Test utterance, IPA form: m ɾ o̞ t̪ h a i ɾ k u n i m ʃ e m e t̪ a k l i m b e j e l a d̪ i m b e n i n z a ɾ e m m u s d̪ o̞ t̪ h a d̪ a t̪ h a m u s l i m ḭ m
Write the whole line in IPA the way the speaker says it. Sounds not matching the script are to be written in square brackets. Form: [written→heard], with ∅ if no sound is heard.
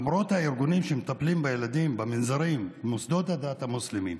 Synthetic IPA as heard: m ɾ o̞ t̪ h a i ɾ [k→ɡ] u n i m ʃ e m e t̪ a [k→p] l i m b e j e l a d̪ i m b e [n→m] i n z a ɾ [e→i] m m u s d̪ o̞ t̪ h a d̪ a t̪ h a m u s l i m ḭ m